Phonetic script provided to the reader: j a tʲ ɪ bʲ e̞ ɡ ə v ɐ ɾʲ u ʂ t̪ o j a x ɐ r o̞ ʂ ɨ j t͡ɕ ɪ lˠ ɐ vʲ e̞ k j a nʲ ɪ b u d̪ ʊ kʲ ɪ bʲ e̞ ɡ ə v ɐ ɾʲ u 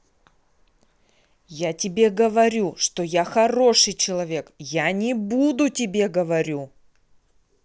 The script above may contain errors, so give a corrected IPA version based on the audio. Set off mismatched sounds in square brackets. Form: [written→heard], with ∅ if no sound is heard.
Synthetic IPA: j a tʲ ɪ bʲ e̞ ɡ ə v ɐ ɾʲ u ʂ t̪ o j a x ɐ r o̞ ʂ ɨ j t͡ɕ ɪ lˠ ɐ vʲ e̞ k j a nʲ ɪ b u d̪ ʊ [kʲ→tʲ] ɪ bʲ e̞ ɡ ə v ɐ ɾʲ u